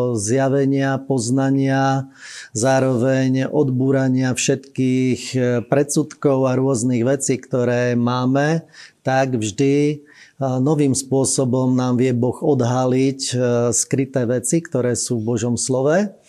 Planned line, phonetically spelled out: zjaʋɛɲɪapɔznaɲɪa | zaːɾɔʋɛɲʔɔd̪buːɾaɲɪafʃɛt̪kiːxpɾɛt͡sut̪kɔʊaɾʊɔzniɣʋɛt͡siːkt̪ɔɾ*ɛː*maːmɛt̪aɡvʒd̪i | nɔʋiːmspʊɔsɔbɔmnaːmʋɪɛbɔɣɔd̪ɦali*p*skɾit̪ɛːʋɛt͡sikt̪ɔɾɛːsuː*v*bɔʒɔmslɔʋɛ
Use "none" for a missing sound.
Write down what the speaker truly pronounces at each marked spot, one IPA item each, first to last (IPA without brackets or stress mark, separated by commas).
ɛː, c, v